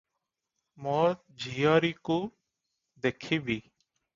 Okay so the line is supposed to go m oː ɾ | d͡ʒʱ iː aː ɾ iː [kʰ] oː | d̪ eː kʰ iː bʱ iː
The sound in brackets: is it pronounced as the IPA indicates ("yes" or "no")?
no